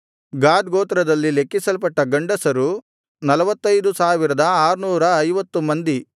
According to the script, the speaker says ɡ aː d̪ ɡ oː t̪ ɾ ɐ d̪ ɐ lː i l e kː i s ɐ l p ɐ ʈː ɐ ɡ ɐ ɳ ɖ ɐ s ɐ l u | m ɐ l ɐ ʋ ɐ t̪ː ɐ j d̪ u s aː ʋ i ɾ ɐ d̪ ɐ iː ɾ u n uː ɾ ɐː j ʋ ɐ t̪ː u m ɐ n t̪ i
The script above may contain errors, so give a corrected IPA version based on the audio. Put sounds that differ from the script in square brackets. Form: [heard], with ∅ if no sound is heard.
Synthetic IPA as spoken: ɡ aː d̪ ɡ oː t̪ ɾ ɐ d̪ ɐ lː i l e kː i s ɐ l p ɐ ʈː ɐ ɡ ɐ ɳ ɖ ɐ s ɐ [ɾ] u | [n] ɐ l ɐ ʋ ɐ t̪ː ɐ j d̪ u s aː ʋ i ɾ ɐ d̪ ɐ [aː] ɾ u n uː ɾ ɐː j ʋ ɐ t̪ː u m ɐ n [d̪] i